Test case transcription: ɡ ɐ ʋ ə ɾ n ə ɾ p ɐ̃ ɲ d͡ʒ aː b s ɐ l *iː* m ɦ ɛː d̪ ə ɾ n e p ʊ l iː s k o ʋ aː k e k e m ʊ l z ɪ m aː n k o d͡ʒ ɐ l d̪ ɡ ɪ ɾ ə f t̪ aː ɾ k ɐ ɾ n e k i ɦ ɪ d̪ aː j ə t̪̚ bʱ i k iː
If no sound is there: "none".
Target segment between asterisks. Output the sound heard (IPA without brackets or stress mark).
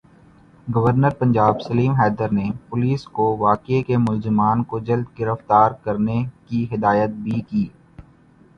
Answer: iː